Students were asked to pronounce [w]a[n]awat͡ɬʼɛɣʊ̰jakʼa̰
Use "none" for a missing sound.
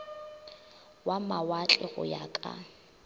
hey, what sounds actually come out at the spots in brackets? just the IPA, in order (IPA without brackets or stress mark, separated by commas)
w, m